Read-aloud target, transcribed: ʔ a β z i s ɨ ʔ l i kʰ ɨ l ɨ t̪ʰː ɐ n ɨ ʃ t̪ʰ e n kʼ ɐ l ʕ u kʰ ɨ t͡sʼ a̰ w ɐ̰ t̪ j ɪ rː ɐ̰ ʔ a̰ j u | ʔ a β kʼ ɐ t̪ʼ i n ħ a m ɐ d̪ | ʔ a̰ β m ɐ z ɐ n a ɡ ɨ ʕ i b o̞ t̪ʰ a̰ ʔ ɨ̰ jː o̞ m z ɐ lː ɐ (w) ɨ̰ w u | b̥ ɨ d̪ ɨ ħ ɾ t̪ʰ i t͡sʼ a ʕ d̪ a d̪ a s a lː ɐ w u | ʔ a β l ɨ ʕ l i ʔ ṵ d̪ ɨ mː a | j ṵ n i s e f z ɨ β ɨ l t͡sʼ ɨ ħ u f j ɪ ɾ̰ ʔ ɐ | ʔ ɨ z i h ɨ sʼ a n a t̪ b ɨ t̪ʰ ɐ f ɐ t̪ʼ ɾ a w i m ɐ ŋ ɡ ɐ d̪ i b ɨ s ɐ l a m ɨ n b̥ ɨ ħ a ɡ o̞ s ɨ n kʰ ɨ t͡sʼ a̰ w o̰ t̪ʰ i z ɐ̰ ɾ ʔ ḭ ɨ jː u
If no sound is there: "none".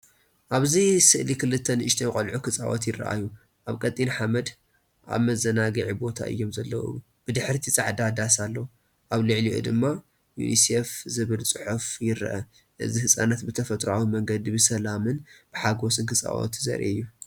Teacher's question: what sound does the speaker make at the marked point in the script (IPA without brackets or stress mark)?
w